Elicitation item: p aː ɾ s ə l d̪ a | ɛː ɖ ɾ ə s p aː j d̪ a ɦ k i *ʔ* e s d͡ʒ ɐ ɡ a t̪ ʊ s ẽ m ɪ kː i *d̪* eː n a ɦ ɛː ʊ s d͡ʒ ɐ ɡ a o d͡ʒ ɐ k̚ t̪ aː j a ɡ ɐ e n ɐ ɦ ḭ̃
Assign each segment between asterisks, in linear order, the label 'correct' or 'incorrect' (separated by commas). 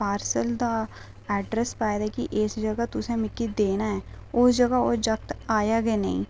correct, correct